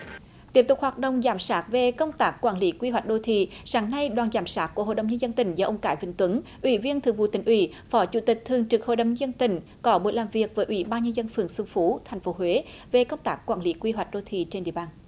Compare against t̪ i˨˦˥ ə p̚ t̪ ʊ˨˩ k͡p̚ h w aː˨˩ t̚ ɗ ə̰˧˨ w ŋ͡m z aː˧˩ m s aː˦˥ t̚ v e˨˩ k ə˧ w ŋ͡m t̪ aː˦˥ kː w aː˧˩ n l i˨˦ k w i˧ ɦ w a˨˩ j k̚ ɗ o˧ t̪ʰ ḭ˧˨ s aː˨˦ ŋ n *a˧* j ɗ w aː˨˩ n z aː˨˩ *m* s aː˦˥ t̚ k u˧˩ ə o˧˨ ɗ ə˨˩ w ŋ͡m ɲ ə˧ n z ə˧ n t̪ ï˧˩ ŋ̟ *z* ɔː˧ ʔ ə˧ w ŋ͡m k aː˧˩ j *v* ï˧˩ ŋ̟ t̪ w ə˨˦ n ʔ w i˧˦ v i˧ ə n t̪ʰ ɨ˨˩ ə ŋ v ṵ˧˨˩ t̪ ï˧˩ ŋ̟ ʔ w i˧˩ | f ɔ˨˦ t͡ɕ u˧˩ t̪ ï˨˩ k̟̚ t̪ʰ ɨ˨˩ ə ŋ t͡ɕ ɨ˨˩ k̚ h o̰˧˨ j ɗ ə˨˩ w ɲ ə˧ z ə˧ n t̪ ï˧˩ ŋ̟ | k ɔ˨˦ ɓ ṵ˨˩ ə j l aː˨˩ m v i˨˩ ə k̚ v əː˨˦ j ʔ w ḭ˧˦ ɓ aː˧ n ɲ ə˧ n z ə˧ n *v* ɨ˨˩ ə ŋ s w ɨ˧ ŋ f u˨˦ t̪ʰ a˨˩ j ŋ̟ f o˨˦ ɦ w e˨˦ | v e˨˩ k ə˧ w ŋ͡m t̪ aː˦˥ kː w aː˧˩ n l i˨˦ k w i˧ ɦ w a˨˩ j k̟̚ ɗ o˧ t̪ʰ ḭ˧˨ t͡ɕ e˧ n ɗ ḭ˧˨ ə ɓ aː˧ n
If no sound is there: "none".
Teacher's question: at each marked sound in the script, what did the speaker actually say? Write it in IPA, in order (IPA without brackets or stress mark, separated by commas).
a˧, m, z, v, f